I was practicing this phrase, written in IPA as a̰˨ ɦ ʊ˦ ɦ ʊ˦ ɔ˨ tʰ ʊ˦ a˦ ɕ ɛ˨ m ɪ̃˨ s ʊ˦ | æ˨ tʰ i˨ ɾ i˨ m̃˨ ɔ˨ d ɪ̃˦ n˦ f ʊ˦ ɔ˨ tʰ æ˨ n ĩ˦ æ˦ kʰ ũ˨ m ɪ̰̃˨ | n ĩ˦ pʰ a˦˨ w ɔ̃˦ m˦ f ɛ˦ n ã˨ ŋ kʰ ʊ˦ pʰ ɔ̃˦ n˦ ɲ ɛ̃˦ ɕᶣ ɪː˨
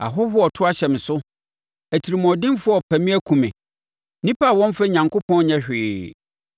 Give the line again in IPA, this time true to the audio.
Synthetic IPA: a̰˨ ɦ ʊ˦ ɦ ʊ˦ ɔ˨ tʰ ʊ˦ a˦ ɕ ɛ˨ m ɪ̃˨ s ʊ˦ | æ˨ tʰ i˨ ɾ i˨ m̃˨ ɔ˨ d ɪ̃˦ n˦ f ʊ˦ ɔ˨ pʰ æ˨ m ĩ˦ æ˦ kʰ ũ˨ m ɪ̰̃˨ | n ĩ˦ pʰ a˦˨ w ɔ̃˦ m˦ f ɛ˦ ɲ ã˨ ŋ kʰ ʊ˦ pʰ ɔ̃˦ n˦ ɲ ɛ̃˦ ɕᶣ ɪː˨